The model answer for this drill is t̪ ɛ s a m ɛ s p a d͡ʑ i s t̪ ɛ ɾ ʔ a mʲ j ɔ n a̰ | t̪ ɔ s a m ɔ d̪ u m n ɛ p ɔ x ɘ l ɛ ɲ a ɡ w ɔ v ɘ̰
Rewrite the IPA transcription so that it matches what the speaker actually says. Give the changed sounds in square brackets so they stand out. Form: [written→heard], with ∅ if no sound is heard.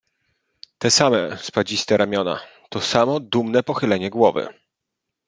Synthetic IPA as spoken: t̪ ɛ s a m ɛ s p a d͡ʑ i s t̪ ɛ ɾ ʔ a mʲ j ɔ n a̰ | t̪ ɔ s a m ɔ d̪ u m n ɛ p ɔ x ɘ l ɛ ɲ [a→ɛ] ɡ w ɔ v ɘ̰